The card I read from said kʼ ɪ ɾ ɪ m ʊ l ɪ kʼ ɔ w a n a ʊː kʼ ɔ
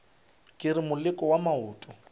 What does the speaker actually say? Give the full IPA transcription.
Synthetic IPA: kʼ ɪ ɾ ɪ m ʊ l ɪ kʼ ɔ w a m a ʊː tʼ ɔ